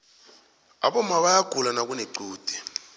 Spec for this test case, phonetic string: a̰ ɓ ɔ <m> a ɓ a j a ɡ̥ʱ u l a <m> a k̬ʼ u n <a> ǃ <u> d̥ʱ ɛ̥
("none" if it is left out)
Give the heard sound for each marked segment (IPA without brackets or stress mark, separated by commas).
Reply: m, n, e, uː